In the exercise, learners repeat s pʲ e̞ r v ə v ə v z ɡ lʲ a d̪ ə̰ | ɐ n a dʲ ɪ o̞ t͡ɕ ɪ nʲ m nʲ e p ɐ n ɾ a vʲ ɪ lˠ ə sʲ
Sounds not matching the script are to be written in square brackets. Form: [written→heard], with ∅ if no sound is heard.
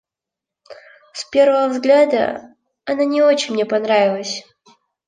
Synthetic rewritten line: s pʲ e̞ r v ə v ə v z ɡ lʲ a d̪ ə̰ | ɐ n a [dʲ→nʲ] ɪ o̞ t͡ɕ ɪ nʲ m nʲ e p ɐ n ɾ a vʲ ɪ lˠ ə sʲ